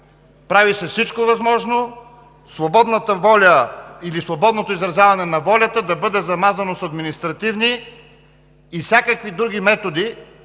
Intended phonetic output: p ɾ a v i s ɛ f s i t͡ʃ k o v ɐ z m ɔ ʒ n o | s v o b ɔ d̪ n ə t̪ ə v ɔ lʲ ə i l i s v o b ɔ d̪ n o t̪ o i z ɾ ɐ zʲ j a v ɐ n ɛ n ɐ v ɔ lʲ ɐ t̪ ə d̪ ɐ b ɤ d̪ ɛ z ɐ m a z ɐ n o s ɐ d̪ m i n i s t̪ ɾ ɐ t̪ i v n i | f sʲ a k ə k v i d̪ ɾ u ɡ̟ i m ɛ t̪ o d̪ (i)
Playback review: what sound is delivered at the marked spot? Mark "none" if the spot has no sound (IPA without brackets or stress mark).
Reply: i